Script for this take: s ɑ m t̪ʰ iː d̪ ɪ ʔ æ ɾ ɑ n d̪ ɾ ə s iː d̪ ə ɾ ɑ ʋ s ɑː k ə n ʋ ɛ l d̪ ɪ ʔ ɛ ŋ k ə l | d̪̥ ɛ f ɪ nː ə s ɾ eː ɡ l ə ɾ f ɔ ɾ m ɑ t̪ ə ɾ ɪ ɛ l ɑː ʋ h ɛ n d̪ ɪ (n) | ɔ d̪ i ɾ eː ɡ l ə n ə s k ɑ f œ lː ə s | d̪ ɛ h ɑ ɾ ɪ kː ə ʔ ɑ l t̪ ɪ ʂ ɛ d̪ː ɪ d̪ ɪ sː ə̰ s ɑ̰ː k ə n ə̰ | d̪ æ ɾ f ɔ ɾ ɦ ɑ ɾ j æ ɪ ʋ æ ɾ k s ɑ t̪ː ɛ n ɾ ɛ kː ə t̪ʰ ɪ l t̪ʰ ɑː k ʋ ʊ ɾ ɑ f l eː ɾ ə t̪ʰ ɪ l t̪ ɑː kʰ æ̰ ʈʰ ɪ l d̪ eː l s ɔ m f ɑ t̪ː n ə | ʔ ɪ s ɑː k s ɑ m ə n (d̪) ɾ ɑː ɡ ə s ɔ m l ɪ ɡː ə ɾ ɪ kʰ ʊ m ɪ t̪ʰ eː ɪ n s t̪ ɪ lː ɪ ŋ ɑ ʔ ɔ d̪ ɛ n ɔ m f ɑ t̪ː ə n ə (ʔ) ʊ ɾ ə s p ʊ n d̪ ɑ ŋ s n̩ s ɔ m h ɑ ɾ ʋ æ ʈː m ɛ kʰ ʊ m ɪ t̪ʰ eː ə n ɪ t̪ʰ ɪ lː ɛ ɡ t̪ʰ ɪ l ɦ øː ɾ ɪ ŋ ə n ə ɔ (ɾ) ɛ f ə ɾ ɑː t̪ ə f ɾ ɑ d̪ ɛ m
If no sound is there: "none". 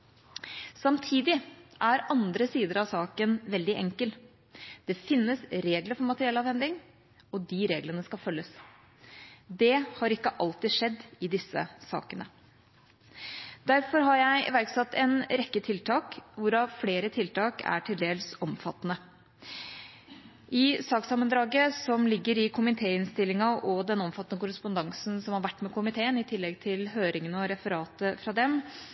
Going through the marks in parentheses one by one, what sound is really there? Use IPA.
ŋ, d̪, k, ɾ

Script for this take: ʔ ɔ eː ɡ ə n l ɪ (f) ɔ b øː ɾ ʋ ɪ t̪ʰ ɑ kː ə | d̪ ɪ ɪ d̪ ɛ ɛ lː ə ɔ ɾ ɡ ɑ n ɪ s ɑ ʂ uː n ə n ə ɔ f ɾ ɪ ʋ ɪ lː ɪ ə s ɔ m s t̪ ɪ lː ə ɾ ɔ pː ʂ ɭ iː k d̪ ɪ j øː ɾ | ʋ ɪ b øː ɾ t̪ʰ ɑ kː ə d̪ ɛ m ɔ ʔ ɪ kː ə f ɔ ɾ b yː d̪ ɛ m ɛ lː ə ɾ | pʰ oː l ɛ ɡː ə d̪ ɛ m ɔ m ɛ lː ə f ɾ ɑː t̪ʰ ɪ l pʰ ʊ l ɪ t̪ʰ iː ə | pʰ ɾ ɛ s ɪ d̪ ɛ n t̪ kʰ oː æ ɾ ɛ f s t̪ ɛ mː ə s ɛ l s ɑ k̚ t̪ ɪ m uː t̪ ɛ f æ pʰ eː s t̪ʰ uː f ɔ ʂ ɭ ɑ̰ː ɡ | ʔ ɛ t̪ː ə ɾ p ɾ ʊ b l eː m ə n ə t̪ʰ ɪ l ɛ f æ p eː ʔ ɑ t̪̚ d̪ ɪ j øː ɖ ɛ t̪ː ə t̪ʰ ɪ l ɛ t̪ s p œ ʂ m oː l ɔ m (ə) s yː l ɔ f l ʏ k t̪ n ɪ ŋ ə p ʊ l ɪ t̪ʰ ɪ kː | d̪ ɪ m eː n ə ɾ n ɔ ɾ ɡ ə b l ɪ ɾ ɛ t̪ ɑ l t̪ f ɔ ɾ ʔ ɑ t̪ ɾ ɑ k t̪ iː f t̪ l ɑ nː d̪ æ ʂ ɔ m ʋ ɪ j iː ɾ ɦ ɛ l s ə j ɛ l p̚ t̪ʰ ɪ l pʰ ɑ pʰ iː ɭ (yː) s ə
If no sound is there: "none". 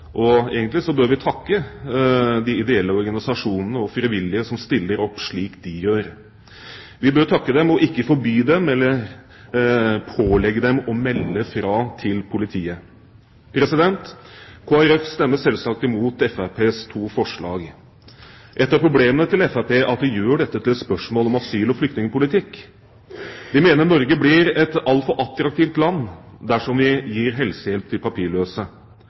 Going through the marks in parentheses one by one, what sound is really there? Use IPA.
s, ɑ, øː

